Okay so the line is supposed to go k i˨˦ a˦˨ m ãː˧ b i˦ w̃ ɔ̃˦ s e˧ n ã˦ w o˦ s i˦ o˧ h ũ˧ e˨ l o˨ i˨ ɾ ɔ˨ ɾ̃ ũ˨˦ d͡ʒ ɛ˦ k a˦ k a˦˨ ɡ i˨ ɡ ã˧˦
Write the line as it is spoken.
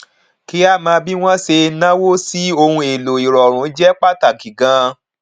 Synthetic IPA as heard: k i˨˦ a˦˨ m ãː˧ b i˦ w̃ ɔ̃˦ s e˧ n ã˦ w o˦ s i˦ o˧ h ũ˧ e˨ l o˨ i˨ ɾ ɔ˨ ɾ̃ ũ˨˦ d͡ʒ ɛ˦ k͡p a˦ t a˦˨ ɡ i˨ ɡ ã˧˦